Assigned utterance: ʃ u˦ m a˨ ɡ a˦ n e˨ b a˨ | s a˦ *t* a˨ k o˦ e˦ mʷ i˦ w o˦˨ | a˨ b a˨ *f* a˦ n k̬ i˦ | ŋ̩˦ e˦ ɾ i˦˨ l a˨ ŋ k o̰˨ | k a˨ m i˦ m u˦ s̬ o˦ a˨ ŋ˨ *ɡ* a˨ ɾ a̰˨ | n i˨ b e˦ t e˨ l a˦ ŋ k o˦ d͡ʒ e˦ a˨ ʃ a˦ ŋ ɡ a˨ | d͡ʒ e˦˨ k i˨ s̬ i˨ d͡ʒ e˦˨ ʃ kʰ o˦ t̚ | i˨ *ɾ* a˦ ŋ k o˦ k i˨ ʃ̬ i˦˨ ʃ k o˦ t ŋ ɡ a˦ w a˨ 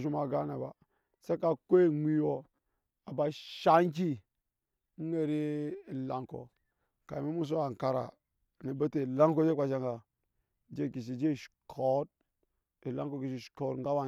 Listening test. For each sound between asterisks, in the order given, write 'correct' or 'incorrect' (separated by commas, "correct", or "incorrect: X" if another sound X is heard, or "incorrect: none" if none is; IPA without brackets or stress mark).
incorrect: k, incorrect: ʃ, incorrect: k, incorrect: l